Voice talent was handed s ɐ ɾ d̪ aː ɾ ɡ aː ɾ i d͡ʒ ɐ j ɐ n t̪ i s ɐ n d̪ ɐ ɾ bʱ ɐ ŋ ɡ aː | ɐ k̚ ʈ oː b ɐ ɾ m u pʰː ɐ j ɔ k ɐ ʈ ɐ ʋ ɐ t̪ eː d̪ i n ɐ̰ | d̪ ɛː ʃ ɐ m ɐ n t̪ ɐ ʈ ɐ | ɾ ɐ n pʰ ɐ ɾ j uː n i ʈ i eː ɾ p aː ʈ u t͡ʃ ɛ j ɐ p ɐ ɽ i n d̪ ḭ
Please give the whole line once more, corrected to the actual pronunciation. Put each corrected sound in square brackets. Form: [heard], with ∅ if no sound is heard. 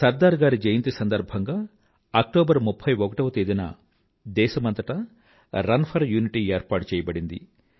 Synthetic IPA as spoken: s ɐ ɾ d̪ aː ɾ ɡ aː ɾ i d͡ʒ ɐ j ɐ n t̪ i s ɐ n d̪ ɐ ɾ bʱ ɐ ŋ ɡ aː | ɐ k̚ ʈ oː b ɐ ɾ m u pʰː ɐ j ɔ k ɐ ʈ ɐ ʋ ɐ t̪ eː d̪ i n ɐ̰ | d̪ ɛː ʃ ɐ m ɐ n t̪ ɐ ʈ ɐ | ɾ ɐ n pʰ ɐ ɾ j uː n i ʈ i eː ɾ p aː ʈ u t͡ʃ [ɛː] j ɐ [b] ɐ ɽ i n d̪ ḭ